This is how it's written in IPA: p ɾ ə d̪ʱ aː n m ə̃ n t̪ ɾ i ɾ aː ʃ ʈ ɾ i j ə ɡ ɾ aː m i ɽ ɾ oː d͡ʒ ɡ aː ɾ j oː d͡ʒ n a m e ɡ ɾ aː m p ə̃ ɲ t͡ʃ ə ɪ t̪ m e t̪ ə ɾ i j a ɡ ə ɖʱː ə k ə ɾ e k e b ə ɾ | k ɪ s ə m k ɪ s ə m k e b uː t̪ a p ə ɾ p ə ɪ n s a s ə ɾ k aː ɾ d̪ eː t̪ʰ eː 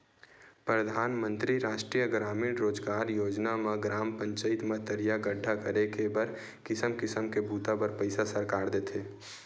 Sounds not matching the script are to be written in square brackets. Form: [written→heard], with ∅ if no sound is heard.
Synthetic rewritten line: p ɾ ə d̪ʱ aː n m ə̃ n t̪ ɾ i ɾ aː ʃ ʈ ɾ i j ə ɡ ɾ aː m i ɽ ɾ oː d͡ʒ ɡ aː ɾ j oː d͡ʒ n a m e ɡ ɾ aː m p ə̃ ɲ t͡ʃ ə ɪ t̪ m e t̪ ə ɾ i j a ɡ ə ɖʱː [ə→a] k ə ɾ e k e b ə ɾ | k ɪ s ə m k ɪ s ə m k e b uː t̪ a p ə ɾ p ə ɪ [n→∅] s a s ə ɾ k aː ɾ d̪ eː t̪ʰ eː